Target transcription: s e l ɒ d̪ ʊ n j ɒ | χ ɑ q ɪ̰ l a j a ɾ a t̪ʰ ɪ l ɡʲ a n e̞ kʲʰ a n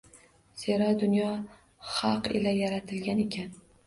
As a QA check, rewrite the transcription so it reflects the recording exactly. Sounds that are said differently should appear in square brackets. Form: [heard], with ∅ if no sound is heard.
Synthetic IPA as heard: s e [ɾ] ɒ d̪ ʊ n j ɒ | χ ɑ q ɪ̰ l a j a ɾ a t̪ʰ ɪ l ɡʲ a n e̞ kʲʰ a n